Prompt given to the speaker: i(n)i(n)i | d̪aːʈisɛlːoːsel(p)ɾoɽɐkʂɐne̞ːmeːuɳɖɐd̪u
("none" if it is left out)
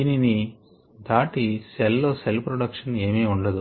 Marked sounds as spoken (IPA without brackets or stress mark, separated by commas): n, n, p